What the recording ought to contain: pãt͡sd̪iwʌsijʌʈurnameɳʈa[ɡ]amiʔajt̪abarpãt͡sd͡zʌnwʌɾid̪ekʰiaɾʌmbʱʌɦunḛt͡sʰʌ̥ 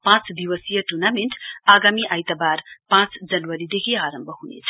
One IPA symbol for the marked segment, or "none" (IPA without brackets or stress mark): ɡ